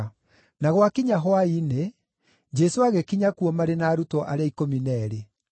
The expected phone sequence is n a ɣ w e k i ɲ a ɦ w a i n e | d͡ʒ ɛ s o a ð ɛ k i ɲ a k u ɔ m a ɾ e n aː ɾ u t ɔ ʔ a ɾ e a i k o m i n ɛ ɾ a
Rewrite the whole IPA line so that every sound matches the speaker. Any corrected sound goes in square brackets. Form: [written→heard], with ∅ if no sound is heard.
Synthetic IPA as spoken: n a ɣ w [e→a] k i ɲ a ɦ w a i n e | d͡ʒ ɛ s o a [ð→ɣ] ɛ k i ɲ a k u ɔ m a ɾ e n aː ɾ u t ɔ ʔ a ɾ e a i k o m i n ɛ ɾ [a→e]

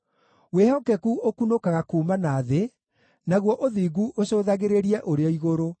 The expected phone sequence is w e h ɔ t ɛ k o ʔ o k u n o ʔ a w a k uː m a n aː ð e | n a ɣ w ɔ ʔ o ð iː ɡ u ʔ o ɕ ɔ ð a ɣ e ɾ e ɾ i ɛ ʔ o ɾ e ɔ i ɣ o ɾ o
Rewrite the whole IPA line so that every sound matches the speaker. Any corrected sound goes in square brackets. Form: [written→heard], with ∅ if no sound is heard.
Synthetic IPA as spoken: w e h ɔ [t→k] ɛ k [o→u] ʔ o k u n o [ʔ→k] a [w→ɣ] a k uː m a n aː ð e | n a ɣ w ɔ ʔ o ð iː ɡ u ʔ o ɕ [ɔ→o] ð a ɣ e ɾ e ɾ i ɛ ʔ o ɾ e ɔ i ɣ o ɾ o

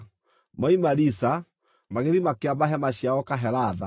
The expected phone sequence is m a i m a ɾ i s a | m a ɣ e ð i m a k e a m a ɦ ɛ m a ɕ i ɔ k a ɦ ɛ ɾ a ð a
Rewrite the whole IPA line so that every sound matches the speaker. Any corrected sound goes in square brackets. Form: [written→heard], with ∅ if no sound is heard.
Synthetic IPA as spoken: m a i m a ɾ i s a | m a ɣ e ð i m a k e a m a ɦ ɛ m a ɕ [i→a] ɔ k a ɦ ɛ ɾ a ð a

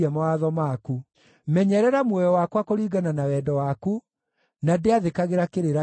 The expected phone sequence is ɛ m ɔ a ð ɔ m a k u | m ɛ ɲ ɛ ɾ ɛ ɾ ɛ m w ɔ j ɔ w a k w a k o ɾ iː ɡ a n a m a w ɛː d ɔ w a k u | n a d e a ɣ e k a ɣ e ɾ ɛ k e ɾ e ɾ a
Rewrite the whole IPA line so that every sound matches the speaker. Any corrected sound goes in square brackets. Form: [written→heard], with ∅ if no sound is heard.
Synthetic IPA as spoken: ɛ m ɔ a ð ɔ m a k u | m ɛ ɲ ɛ ɾ ɛ ɾ [ɛ→a] m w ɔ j ɔ w a k w a k o ɾ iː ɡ a n a [m→n] a w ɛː d ɔ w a k u | n a d e a [ɣ→ð] e k a ɣ e ɾ [ɛ→a] k e ɾ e ɾ a

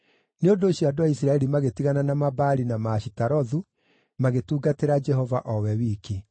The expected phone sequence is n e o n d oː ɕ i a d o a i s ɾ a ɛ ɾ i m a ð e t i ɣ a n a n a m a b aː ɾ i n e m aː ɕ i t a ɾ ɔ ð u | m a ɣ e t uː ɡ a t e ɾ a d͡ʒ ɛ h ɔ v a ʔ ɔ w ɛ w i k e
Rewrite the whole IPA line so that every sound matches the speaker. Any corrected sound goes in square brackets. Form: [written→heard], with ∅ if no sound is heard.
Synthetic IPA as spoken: n e o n d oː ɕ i a d o a i s ɾ a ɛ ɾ i m a [ð→ɣ] e t i ɣ a n a n a m a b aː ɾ i n [e→a] m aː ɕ i t a ɾ ɔ ð u | m a ɣ e t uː ɡ a t e ɾ a d͡ʒ ɛ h ɔ v a ʔ ɔ w ɛ w i k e

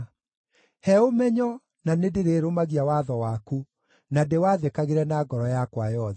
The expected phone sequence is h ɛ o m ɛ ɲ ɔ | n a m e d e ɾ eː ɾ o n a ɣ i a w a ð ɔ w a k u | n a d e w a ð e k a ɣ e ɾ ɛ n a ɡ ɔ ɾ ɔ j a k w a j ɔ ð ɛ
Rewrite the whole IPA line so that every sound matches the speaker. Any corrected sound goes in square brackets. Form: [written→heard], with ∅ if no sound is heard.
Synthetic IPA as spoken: h ɛ o m ɛ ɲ ɔ | n a [m→n] e d e ɾ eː ɾ o [n→m] a ɣ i a w a ð ɔ w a k u | n a d e w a ð e k a ɣ e ɾ ɛ n a ɡ ɔ ɾ ɔ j a k w a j ɔ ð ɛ

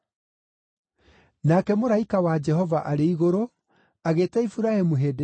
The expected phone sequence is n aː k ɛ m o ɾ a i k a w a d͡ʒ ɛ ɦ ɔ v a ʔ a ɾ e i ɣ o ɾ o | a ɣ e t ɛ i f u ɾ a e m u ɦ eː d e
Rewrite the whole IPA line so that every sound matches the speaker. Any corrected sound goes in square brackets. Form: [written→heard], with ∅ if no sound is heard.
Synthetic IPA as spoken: n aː k ɛ m o ɾ a i k a w a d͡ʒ ɛ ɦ ɔ v a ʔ a ɾ e i ɣ o ɾ o | a ɣ e t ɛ i f u ɾ a e m u ɦ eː d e

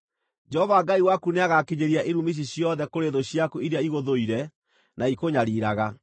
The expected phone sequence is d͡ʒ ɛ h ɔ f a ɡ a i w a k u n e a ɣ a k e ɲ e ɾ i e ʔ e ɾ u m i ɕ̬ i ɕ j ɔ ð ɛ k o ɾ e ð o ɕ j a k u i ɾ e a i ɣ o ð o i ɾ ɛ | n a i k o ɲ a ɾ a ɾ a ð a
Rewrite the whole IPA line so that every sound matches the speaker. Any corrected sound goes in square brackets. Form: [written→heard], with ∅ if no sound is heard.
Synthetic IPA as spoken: d͡ʒ ɛ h ɔ [f→v] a ɡ a i w a k u n e a ɣ a k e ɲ e ɾ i [e→a] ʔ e ɾ u m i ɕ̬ i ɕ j ɔ ð ɛ k o ɾ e ð o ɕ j a k u i ɾ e a i ɣ o ð o i ɾ ɛ | n a i k o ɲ a ɾ [a→i] ɾ a [ð→ɣ] a

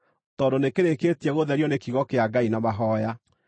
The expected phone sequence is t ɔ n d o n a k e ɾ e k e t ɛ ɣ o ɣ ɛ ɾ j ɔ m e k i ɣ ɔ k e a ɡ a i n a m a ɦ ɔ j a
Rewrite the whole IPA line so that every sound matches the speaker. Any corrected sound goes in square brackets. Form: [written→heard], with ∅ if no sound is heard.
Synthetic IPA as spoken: t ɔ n d o n [a→e] k e ɾ e k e t ɛ ɣ o [ɣ→ð] ɛ ɾ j ɔ [m→n] e k i ɣ ɔ k e a ɡ a i n a m a ɦ ɔ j a

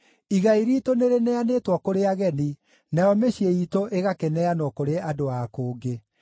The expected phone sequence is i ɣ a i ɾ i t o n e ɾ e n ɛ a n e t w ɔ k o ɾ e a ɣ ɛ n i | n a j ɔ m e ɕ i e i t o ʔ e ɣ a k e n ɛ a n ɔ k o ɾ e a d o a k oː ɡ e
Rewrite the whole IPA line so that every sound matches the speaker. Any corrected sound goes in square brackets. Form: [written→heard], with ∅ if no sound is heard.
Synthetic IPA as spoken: i ɣ a i ɾ i t o n e ɾ e n ɛ a n e t w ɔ k o ɾ e a ɣ ɛ n i | n a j ɔ m e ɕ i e i t o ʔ e ɣ a k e n ɛ a n ɔ k o ɾ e a d o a k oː ɡ e

